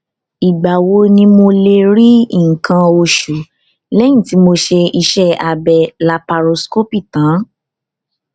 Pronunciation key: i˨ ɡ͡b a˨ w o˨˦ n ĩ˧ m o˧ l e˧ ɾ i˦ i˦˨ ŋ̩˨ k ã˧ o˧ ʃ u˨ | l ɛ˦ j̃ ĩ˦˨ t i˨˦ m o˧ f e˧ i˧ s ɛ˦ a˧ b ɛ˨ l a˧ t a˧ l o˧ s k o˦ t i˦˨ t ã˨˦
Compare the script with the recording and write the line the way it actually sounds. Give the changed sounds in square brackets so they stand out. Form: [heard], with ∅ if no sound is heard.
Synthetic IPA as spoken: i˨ ɡ͡b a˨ w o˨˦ n ĩ˧ m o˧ l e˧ ɾ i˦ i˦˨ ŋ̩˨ k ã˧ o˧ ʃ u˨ | l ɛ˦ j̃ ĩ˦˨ t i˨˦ m o˧ [ʃ] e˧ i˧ [ʃ] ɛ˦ a˧ b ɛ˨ l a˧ [p] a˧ [ɾ] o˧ s k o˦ [p] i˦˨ t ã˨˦